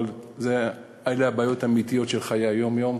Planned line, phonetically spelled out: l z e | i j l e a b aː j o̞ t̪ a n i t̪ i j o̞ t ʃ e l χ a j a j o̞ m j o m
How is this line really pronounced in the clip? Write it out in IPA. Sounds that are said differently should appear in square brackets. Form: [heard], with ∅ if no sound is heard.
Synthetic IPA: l z e | [a] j l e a b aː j o̞ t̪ a [m] i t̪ i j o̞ t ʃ e l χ a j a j o̞ m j o m